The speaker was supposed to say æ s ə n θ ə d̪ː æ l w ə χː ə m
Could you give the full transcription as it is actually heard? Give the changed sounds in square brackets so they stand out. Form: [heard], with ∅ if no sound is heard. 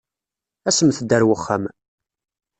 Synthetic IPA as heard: æ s ə [m] θ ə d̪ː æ [ɾ] w ə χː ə m